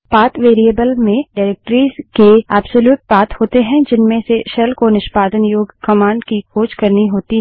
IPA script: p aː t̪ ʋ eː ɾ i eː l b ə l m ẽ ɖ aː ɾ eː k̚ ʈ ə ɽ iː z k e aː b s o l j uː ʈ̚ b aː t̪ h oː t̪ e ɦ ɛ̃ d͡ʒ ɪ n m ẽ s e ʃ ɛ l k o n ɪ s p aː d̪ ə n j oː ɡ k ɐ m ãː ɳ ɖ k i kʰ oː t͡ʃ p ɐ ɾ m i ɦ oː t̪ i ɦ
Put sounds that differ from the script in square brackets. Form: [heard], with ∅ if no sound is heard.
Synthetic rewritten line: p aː t̪ ʋ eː ɾ i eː [∅] b ə l m ẽ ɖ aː ɾ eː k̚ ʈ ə [ɾ] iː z k e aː b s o l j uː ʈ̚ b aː t̪ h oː t̪ e ɦ ɛ̃ d͡ʒ ɪ n m ẽ s e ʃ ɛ l k o n ɪ [ʃ] p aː d̪ ə n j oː ɡ k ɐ m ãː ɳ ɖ k i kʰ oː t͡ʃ [k] ɐ ɾ [n] i ɦ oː t̪ i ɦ